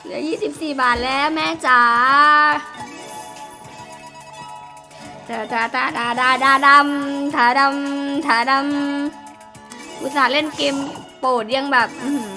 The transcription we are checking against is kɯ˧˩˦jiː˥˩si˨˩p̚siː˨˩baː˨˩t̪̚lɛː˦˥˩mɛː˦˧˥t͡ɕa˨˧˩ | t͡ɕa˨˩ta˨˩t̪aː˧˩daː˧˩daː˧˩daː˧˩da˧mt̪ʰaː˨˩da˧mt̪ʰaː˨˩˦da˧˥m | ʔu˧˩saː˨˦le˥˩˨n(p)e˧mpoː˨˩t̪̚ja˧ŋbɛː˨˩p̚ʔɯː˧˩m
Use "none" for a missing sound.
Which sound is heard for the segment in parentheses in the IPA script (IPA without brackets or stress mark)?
k